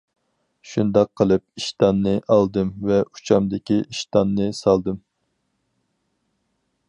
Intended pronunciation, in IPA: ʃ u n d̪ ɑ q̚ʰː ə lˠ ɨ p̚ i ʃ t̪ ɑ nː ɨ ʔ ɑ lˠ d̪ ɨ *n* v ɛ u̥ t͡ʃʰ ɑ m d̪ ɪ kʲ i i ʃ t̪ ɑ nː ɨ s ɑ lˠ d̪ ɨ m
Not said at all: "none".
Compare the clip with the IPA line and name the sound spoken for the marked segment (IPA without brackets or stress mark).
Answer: m